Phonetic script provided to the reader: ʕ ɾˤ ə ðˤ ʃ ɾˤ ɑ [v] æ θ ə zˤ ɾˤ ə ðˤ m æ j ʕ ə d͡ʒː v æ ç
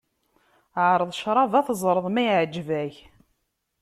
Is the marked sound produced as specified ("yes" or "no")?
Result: yes